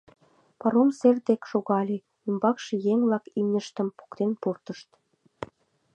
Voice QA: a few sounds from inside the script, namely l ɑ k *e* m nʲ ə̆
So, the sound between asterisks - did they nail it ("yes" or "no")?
no